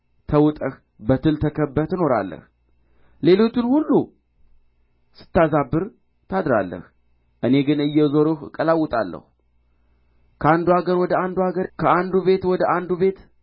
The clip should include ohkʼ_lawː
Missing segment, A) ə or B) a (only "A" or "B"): A